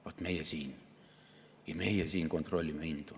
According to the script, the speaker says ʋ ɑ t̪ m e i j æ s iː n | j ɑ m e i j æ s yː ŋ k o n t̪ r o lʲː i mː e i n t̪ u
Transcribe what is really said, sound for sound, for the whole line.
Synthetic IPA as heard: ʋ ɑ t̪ m e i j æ s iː n | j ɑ m e i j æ s iː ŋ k o n t̪ r o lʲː i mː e i n t̪ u